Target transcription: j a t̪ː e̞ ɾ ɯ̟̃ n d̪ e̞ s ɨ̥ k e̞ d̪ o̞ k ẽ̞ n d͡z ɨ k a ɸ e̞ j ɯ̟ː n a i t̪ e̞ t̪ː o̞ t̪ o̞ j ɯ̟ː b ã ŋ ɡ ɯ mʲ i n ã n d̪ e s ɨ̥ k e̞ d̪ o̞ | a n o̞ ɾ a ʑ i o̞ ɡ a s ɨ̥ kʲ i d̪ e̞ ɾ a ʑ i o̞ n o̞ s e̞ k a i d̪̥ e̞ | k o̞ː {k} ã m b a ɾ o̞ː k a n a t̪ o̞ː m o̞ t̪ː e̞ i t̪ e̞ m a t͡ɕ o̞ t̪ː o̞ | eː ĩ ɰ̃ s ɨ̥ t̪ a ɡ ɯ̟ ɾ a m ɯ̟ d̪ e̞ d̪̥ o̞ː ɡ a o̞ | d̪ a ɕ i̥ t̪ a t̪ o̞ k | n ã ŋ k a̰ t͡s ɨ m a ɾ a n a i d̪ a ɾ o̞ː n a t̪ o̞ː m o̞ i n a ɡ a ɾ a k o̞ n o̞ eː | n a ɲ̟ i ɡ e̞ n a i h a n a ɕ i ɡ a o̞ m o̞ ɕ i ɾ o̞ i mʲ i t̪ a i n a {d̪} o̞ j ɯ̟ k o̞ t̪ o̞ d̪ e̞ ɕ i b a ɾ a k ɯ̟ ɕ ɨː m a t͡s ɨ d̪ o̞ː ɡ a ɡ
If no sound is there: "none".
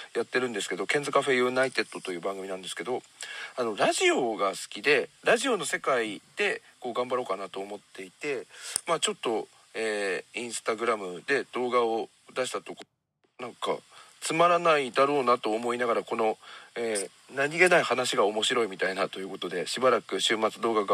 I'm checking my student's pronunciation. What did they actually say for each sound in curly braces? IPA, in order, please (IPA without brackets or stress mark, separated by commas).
ɡ, t̪